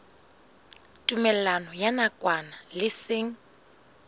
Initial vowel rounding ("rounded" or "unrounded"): rounded